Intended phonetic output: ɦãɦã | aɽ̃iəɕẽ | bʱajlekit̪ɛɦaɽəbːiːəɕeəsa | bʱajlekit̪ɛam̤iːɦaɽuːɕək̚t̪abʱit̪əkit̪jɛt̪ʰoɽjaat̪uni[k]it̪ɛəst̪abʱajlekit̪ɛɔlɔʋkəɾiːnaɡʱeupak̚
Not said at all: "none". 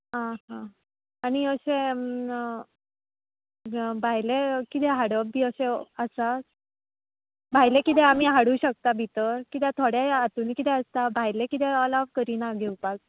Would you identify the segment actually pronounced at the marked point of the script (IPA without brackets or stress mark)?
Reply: k